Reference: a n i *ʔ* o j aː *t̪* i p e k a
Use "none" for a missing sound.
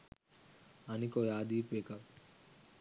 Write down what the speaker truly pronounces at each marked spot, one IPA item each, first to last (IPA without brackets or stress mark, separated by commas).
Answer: k, d̪